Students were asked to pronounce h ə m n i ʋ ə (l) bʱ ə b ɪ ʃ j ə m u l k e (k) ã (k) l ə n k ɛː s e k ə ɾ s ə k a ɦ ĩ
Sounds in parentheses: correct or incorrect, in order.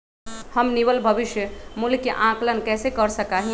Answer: correct, incorrect: ʔ, correct

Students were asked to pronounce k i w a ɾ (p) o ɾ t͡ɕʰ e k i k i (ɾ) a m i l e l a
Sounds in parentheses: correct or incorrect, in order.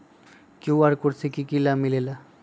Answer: incorrect: k, incorrect: l

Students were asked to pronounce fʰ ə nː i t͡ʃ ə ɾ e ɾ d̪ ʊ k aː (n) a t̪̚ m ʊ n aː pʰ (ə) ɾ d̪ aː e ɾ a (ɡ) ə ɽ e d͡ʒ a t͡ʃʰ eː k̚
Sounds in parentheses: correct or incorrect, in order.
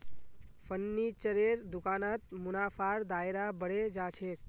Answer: correct, incorrect: a, incorrect: b

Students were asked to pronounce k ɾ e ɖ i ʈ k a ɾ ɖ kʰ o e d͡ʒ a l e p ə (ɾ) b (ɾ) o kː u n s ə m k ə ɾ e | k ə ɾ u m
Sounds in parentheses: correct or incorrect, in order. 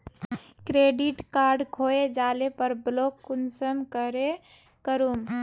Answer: correct, incorrect: l

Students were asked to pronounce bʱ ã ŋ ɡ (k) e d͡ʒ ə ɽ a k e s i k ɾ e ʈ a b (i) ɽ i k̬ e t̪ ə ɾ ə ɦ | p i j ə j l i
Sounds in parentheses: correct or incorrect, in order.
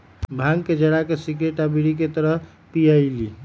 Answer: correct, correct

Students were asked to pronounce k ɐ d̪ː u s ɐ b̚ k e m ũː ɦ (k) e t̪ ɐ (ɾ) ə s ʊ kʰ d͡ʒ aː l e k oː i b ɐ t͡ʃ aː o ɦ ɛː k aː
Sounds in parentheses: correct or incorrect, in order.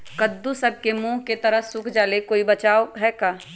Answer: correct, correct

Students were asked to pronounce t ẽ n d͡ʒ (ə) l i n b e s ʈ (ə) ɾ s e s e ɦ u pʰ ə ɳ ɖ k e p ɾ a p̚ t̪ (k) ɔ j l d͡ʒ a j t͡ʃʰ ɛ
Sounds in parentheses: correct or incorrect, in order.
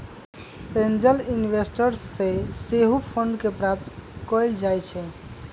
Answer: correct, correct, correct

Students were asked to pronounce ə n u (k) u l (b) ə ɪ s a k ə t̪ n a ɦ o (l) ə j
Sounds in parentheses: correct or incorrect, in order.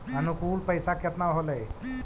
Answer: correct, incorrect: p, correct

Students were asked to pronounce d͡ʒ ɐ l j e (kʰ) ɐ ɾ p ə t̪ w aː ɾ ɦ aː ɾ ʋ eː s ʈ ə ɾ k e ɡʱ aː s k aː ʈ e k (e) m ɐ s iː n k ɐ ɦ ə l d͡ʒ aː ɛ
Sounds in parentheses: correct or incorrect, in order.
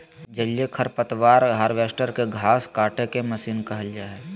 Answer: correct, correct

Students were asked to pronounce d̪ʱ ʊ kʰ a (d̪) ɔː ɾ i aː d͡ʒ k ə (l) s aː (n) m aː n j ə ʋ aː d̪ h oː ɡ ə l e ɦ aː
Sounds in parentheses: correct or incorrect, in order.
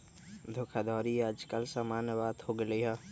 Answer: correct, correct, incorrect: none

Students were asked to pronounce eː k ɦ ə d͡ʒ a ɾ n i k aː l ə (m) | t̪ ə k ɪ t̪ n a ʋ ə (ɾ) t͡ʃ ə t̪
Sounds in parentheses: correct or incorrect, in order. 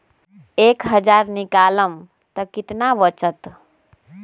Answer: correct, incorrect: none

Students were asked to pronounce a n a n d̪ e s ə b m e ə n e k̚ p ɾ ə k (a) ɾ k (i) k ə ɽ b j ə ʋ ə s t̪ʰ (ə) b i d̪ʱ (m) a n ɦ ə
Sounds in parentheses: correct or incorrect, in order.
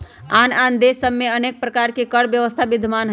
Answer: correct, incorrect: e, incorrect: a, correct

